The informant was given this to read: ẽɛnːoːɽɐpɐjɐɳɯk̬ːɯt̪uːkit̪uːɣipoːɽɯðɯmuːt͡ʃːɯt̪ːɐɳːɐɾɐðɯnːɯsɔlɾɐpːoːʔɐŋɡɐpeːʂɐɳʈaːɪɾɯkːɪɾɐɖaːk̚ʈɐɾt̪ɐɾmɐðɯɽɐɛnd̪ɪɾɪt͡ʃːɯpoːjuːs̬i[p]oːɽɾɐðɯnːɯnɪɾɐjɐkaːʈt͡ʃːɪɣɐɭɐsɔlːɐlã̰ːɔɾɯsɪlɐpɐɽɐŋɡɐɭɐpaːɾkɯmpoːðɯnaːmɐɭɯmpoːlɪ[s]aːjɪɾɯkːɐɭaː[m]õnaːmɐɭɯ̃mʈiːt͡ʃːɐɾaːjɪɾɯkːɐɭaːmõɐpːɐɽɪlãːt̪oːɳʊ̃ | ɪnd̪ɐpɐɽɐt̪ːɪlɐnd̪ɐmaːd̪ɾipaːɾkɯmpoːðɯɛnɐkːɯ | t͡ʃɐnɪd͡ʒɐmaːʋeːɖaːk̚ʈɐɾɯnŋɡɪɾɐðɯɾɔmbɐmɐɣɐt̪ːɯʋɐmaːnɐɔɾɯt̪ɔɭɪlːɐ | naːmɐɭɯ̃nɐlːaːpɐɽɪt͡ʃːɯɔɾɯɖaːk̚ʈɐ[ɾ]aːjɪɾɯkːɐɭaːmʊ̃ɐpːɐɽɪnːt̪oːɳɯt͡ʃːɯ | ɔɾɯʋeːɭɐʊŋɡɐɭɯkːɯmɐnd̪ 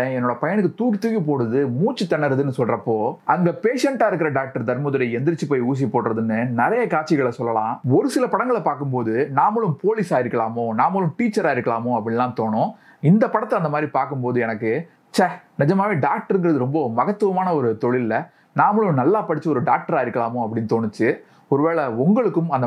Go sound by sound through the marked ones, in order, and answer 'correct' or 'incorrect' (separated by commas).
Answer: correct, correct, correct, correct